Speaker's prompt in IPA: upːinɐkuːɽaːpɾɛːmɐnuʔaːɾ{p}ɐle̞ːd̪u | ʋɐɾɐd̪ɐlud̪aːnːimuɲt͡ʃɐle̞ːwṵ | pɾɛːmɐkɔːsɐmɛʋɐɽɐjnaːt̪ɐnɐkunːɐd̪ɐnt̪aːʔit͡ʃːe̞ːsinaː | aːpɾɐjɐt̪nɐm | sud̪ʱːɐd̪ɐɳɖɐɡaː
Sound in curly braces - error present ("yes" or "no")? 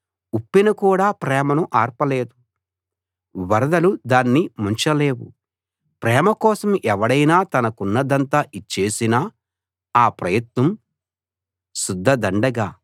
no